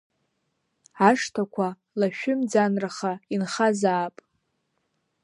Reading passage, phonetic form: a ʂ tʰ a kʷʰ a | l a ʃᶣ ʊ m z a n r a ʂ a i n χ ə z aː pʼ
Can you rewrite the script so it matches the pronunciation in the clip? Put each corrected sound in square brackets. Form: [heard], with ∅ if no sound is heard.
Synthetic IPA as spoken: a ʂ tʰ a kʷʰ a | l a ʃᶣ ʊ m [d͡z] a n r a [χ] a i n χ [a] z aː pʼ